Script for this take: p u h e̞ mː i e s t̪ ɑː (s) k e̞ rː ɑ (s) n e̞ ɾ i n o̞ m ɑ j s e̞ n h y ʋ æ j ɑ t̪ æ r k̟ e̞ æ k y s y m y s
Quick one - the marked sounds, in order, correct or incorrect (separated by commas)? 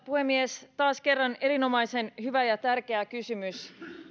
correct, incorrect